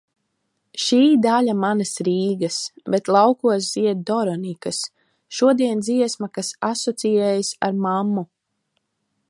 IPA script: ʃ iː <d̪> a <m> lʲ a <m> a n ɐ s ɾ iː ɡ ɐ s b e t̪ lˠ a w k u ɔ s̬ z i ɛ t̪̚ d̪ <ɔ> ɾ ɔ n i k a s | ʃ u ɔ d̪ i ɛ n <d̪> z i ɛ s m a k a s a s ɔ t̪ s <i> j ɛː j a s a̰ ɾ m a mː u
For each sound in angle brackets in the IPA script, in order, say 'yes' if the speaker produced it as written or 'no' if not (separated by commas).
yes, no, yes, yes, yes, yes